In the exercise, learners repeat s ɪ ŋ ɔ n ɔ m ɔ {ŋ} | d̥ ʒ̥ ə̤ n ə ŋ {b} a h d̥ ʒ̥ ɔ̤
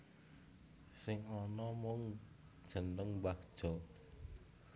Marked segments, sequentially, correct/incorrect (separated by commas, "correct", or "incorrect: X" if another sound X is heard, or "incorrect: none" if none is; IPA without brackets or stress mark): correct, correct